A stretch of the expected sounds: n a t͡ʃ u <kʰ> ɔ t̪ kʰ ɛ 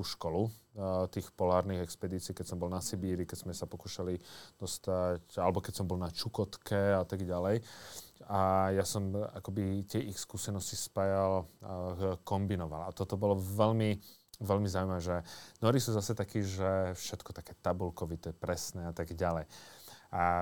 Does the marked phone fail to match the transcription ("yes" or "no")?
yes